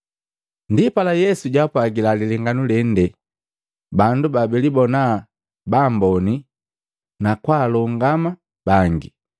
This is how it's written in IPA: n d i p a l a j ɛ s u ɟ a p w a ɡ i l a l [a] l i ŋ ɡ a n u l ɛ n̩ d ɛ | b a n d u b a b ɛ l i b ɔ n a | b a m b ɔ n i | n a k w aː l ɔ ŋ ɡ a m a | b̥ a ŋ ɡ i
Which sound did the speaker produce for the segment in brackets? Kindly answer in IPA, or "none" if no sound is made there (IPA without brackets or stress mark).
i